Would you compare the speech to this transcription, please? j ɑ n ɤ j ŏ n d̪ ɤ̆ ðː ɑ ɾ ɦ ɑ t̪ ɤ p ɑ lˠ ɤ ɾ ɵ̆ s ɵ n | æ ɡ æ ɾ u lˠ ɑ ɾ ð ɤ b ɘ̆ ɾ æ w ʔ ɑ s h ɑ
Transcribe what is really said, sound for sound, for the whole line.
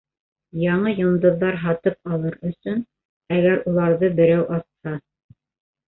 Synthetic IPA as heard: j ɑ ɴ ɤ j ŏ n d̪ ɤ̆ ðː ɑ ɾ ɦ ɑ t̪ ɤ p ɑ lˠ ɤ ɾ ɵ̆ s ɵ n | æ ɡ æ ɾ u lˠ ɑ ɾ ð ɤ b ɘ̆ ɾ æ w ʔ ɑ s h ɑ